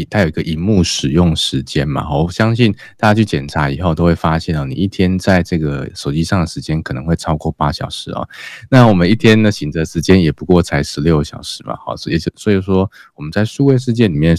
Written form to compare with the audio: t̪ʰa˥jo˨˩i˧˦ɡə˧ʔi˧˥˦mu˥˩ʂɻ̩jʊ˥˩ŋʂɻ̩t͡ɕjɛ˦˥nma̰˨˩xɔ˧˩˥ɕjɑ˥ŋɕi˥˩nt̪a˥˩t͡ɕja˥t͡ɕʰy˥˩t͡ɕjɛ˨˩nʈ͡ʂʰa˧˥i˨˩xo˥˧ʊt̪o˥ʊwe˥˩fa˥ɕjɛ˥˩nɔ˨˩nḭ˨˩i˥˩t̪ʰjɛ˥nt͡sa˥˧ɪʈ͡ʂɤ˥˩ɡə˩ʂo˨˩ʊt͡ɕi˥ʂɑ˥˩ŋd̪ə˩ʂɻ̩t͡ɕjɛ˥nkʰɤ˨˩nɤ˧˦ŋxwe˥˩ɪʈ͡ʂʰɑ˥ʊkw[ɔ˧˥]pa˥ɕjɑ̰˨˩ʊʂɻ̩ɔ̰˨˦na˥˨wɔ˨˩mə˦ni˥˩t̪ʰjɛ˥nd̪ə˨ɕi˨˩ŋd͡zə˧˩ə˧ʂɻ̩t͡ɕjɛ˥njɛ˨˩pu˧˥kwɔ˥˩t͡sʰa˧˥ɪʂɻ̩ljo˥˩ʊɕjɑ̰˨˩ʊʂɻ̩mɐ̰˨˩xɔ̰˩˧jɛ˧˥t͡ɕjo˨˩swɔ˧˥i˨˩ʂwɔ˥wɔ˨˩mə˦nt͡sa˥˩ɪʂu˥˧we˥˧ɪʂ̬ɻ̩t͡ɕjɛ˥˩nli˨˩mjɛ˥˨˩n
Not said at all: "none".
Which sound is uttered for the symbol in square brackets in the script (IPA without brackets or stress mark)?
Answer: ɔ˥˧